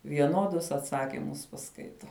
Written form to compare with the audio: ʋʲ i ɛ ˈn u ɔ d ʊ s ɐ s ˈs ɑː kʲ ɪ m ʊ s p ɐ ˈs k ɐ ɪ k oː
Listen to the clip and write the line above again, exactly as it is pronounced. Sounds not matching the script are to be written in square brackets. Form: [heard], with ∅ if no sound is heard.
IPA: ʋʲ i ɛ ˈn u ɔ d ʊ s ɐ [t] ˈs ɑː kʲ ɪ m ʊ s p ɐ ˈs k ɐ ɪ [t] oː